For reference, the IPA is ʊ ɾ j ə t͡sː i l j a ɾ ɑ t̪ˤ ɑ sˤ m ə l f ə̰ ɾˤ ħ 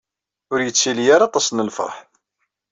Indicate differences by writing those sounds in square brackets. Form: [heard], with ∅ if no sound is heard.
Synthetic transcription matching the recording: ʊ ɾ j ə t͡sː i l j a ɾ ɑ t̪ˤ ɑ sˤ [n] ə l f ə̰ ɾˤ ħ